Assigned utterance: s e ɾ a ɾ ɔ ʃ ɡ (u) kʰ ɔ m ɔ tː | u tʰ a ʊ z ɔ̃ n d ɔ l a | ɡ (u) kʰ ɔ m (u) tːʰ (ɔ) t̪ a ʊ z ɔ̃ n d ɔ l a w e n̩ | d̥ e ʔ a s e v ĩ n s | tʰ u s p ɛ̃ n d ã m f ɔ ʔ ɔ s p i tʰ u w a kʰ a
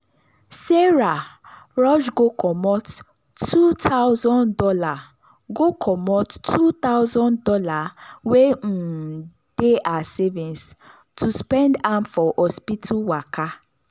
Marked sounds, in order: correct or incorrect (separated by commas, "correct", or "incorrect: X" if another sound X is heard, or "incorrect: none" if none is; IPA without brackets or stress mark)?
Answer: incorrect: o, incorrect: o, incorrect: ɔ, incorrect: u